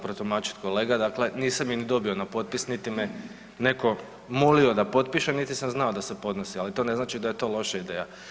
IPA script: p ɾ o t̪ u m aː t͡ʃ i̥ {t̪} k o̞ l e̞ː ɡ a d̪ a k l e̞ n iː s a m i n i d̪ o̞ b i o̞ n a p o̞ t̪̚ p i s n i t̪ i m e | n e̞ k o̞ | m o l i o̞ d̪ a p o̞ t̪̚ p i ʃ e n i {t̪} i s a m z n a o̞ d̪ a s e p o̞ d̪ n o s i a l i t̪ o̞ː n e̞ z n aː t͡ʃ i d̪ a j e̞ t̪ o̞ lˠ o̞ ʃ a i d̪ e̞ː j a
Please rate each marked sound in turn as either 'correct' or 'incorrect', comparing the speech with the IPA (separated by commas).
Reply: correct, correct